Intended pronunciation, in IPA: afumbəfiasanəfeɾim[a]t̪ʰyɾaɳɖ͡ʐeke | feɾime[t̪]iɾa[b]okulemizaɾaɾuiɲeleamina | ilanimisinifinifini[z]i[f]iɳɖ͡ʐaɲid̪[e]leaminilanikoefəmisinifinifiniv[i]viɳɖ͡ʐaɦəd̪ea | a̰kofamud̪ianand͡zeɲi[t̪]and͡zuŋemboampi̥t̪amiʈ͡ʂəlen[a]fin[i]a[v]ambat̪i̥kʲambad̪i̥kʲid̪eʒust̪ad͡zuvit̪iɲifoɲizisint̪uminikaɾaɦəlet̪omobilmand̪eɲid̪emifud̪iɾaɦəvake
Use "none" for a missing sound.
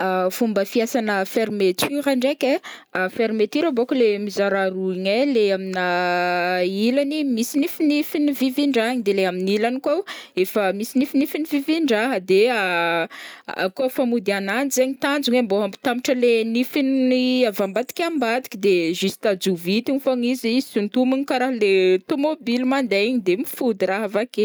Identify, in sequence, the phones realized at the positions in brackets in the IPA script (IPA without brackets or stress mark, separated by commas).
e, t̪, b, v, v, e, i, t̪, i, i, v